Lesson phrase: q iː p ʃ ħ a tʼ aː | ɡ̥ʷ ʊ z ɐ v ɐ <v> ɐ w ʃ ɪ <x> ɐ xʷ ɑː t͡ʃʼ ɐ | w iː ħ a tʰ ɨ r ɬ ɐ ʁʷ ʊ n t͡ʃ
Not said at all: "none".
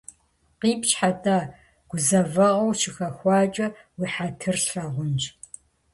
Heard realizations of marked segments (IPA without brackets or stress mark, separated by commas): ʁ, x